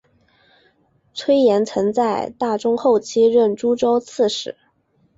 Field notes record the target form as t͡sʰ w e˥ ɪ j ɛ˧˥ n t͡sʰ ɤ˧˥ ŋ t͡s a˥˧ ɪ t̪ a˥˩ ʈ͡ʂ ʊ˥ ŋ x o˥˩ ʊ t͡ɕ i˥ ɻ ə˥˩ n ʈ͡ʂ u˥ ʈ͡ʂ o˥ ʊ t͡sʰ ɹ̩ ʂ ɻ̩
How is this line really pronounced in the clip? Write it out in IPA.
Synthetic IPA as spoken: t͡sʰ w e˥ ɪ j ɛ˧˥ n t͡sʰ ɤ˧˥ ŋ t͡s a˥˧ ɪ t̪ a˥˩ ʈ͡ʂ ʊ˥ ŋ x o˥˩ ʊ t͡ɕʰ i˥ ɻ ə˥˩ n ʈ͡ʂ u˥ ʈ͡ʂ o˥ ʊ t͡sʰ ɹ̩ ʂ ɻ̩

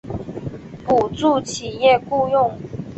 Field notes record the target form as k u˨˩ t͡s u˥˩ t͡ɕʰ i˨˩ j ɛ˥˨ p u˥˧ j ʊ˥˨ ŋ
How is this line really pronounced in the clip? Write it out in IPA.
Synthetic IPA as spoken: p u˨˩ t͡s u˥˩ t͡ɕʰ i˨˩ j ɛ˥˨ k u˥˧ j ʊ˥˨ ŋ

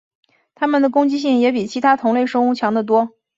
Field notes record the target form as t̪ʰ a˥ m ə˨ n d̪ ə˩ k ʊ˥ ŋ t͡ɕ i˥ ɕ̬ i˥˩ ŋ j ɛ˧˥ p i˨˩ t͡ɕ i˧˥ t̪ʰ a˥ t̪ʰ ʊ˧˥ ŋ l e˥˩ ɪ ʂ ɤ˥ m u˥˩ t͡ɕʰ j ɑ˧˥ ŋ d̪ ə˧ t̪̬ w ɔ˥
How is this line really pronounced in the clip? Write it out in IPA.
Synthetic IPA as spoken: t̪ʰ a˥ m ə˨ n d̪ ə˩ k ʊ˥ ŋ t͡ɕ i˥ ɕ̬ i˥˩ ŋ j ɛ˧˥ p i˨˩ t͡ɕʰ i˧˥ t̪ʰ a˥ t̪ʰ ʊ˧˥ ŋ l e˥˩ ɪ ʂ ɤ˥ ŋ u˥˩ t͡ɕʰ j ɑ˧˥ ŋ d̪ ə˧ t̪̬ w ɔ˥

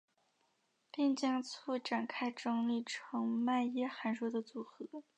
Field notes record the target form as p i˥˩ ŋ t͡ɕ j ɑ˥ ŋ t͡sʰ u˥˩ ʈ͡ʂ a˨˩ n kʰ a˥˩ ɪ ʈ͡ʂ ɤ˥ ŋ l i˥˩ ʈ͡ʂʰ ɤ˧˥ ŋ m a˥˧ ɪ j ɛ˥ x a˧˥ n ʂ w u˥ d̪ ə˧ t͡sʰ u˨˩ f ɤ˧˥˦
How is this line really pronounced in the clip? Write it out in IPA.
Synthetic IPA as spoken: p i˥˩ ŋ t͡ɕ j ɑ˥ ŋ t͡sʰ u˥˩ ʈ͡ʂ a˨˩ n kʰ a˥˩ ɪ ʈ͡ʂ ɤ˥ ŋ l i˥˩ ʈ͡ʂʰ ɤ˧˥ ŋ m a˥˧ ɪ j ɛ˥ x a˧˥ n ʂ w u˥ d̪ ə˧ t͡s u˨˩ x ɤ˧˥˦

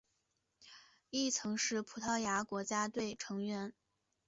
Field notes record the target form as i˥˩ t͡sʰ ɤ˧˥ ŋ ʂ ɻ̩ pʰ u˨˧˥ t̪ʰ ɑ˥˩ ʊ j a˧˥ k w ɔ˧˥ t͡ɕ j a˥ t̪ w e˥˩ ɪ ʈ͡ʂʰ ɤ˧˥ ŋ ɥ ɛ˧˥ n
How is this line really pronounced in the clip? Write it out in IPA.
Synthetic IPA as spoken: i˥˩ t͡sʰ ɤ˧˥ ŋ ʂ ɻ̩ pʰ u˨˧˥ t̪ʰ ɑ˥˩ ʊ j a˧˥ k w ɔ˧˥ t͡ɕ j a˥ t̪ w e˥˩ ɪ ʈ͡ʂʰ ɤ˧˥ ŋ ɥ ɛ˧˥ n

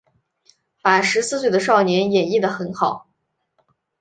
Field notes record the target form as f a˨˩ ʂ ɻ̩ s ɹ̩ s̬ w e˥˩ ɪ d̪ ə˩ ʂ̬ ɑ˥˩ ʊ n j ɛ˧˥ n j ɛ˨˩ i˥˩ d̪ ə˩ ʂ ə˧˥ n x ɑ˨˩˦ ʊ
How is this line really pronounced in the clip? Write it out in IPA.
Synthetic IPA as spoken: f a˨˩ ʂ ɻ̩ s ɹ̩ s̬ w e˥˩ ɪ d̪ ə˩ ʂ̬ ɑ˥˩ ʊ n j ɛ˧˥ n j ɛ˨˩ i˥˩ d̪ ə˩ x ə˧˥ n x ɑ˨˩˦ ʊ

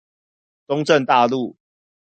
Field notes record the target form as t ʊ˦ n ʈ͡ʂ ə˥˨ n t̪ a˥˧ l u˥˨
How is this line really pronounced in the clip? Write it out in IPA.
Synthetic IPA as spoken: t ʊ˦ ŋ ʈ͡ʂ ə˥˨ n t̪ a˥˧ l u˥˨

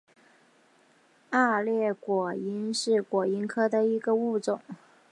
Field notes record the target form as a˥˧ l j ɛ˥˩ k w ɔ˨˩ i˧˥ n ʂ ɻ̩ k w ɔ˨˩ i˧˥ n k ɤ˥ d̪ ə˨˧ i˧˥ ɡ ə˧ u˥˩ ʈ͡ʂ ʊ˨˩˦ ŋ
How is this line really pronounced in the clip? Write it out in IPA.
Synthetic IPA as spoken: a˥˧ l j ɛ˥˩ k w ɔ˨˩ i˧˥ n ʂ ɻ̩ k w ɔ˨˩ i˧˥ n kʰ ɤ˥ d̪ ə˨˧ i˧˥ ɡ ə˧ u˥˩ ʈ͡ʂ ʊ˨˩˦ ŋ

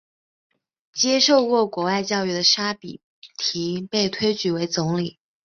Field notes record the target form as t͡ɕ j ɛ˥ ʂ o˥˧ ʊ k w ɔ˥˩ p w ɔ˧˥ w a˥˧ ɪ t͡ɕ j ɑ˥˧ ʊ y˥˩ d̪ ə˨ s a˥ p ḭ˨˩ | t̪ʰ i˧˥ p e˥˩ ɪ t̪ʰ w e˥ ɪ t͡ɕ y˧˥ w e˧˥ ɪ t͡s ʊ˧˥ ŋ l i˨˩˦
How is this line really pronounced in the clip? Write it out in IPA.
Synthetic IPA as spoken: t͡ɕ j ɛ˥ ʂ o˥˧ ʊ k w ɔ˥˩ k w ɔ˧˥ w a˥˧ ɪ t͡ɕ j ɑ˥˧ ʊ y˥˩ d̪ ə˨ ʂ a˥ p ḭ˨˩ | t̪ʰ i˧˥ p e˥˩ ɪ t̪ʰ w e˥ ɪ t͡ɕ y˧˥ w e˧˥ ɪ t͡s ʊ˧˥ ŋ l i˨˩˦

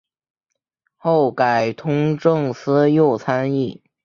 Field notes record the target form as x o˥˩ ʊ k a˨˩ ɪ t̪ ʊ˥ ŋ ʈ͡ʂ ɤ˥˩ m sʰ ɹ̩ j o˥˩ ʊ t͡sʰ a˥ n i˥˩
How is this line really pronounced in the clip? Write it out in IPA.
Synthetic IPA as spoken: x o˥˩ ʊ k a˨˩ ɪ t̪ʰ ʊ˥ ŋ ʈ͡ʂ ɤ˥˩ ŋ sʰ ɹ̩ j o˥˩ ʊ t͡sʰ a˥ n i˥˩

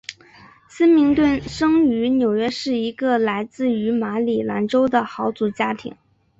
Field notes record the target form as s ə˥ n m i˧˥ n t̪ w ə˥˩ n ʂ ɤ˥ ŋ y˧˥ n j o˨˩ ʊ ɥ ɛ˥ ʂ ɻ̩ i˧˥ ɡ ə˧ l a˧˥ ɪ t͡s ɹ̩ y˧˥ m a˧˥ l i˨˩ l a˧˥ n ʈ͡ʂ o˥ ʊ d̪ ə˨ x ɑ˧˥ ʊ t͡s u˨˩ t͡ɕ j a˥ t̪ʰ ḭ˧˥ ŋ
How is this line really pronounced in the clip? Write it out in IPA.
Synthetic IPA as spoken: s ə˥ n m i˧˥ ŋ t̪ w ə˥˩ n ʂ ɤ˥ ŋ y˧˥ n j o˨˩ ʊ ɥ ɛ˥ ʂ ɻ̩ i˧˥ ɡ ə˧ l a˧˥ ɪ t͡s ɹ̩ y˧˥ m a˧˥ l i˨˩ l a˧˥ n ʈ͡ʂ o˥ ʊ d̪ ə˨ x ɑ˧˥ ʊ t͡s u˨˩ t͡ɕ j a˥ t̪ʰ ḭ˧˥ ŋ

